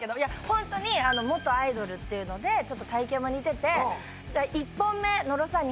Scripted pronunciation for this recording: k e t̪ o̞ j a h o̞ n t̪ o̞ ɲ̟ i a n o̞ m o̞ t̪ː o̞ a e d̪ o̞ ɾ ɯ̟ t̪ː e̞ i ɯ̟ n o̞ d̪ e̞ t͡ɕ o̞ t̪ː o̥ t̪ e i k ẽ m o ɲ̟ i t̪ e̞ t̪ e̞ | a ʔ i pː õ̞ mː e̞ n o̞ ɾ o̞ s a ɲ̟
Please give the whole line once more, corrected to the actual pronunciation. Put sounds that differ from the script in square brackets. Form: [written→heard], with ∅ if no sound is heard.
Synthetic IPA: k e [t̪→d̪] o̞ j a h [o̞→õ̞] n t̪ o̞ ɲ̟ i a n o̞ m o̞ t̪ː o̞ a [e→i] d̪ o̞ ɾ ɯ̟ t̪ː e̞ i ɯ̟ n o̞ d̪ e̞ t͡ɕ o̞ t̪ː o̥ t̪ [e→a] i k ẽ m o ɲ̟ i t̪ e̞ t̪ e̞ | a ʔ i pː õ̞ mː e̞ n o̞ ɾ o̞ s a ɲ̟